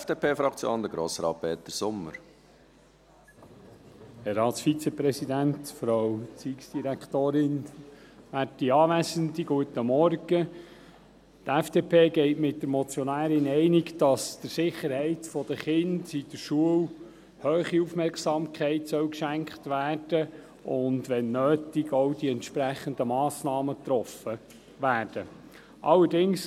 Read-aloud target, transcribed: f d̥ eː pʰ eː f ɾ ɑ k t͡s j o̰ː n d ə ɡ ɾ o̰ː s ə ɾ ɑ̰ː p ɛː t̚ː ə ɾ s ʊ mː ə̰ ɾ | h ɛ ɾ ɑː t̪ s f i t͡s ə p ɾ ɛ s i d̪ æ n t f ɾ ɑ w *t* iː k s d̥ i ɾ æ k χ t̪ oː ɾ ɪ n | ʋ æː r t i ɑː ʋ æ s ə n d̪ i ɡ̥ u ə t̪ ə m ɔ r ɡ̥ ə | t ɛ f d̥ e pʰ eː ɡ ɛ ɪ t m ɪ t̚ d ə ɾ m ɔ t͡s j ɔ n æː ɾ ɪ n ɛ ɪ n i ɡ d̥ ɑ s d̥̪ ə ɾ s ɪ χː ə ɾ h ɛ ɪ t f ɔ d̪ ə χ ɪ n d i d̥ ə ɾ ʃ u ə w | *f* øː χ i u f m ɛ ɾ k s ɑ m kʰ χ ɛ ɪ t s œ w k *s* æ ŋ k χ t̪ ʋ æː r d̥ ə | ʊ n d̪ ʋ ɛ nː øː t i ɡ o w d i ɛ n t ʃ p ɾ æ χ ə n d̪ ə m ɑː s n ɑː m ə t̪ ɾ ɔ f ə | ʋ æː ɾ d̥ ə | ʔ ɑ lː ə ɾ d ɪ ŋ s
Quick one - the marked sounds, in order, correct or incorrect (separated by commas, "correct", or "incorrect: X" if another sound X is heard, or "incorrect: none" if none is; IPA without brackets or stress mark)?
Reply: incorrect: t͡s, incorrect: h, incorrect: ʃ